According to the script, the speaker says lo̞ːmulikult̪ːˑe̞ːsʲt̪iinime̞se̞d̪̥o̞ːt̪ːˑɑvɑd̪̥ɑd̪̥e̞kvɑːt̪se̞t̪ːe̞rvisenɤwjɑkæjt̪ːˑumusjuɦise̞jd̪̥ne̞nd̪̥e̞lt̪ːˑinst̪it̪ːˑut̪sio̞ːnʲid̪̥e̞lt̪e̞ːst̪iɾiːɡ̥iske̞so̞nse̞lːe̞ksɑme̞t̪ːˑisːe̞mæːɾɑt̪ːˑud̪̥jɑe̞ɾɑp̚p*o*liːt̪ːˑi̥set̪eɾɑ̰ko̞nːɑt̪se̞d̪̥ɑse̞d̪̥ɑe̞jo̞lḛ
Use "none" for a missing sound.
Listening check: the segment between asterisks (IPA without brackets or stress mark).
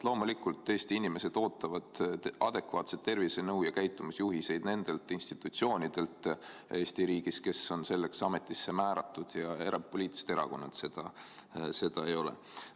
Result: o